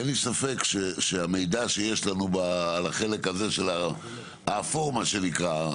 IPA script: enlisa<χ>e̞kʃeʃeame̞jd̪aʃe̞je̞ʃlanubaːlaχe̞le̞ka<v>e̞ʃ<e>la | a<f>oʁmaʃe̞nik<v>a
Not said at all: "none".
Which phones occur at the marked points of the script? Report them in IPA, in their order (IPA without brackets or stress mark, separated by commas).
f, z, e, f, ʁ